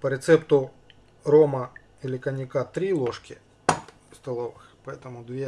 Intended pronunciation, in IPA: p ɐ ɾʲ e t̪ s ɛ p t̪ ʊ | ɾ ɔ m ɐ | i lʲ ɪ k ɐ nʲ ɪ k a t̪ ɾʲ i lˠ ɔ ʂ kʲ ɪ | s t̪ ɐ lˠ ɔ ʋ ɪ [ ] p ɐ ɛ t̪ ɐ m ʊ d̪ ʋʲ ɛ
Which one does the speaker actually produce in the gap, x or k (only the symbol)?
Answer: x